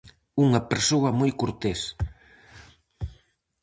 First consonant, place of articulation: velar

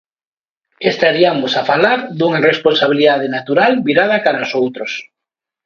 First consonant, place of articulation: alveolar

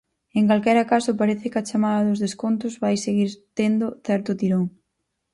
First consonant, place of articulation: velar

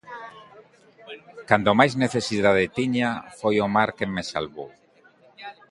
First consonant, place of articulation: velar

